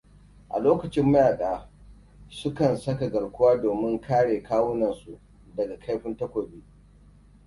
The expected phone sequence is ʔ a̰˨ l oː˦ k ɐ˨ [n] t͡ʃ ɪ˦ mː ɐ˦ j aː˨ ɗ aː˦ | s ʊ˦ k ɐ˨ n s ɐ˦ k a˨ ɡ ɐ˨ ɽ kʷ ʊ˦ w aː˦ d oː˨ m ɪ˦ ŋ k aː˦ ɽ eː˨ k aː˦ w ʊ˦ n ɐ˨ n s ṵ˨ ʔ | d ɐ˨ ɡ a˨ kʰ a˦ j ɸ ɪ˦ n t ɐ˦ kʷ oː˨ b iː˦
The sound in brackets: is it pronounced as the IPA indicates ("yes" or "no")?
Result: no